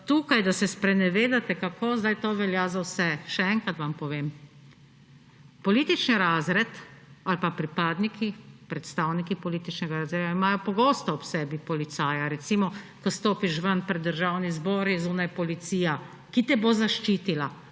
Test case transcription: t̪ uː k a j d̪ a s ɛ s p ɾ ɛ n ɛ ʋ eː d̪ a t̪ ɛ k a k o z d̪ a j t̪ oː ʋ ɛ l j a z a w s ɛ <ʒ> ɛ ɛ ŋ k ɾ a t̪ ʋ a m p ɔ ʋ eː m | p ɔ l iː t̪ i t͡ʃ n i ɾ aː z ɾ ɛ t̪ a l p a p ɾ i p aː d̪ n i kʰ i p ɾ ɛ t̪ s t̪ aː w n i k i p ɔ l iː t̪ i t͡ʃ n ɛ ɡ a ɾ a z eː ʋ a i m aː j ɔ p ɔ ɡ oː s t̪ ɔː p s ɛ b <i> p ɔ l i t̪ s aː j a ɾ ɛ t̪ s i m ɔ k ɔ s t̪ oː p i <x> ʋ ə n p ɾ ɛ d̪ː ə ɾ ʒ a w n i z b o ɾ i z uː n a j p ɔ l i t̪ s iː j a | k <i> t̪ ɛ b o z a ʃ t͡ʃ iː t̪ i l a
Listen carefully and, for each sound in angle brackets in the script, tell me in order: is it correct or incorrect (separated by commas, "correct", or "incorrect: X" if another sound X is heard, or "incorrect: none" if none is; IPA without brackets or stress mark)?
incorrect: ʃ, correct, incorrect: ʃ, correct